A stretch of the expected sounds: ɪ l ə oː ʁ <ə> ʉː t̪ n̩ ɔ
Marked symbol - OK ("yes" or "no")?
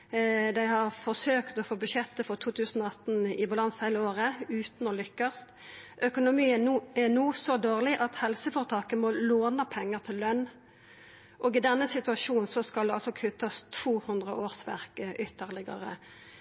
yes